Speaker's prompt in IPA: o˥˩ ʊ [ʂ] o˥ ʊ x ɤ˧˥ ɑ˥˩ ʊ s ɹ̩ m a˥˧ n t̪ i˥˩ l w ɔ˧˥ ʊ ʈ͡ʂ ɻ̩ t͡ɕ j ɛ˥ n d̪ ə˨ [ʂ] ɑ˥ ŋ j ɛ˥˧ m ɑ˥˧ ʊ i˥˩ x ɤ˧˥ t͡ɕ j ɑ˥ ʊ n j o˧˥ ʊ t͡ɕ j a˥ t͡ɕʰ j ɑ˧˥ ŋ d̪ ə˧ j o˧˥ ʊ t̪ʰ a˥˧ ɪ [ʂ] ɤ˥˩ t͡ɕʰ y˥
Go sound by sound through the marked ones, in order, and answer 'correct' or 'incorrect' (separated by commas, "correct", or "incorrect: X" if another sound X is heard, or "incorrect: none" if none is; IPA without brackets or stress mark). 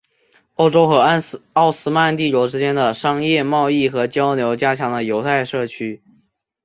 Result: incorrect: ʈ͡ʂ, correct, correct